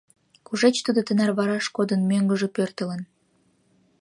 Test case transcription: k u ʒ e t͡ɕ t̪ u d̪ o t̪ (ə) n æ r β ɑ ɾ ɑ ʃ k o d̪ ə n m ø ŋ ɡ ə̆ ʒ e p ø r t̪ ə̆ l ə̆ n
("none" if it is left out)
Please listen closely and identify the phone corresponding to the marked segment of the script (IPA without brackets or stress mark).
ə